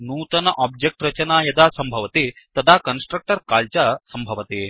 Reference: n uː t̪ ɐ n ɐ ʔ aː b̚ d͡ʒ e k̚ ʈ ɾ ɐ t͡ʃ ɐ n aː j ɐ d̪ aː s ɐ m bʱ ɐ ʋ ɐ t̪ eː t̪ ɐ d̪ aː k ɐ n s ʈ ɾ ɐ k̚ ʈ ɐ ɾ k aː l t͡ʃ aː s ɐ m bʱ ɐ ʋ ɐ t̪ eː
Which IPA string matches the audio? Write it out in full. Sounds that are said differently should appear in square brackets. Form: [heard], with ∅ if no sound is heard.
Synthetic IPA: n uː t̪ ɐ n ɐ ʔ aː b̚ d͡ʒ e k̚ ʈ ɾ ɐ t͡ʃ ɐ n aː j ɐ d̪ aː s ɐ m bʱ ɐ ʋ ɐ t̪ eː t̪ ɐ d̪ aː k ɐ n s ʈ ɾ ɐ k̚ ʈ ɐ ɾ k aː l t͡ʃ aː s ɐ m bʱ ɐ ʋ ɐ t̪ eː